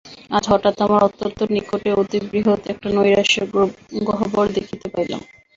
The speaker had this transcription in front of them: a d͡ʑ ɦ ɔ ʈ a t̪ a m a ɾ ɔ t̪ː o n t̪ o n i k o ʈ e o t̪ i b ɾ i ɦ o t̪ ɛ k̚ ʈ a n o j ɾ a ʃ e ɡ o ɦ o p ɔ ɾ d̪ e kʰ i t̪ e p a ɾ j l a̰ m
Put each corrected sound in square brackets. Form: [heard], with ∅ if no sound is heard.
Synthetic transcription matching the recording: a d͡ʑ ɦ ɔ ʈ a t̪ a m a ɾ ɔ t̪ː o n t̪ o n i k o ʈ e o t̪ i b ɾ i ɦ o t̪ ɛ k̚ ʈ a n o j ɾ a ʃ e ɡ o ɦ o [b] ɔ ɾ d̪ e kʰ i t̪ e p a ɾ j l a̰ m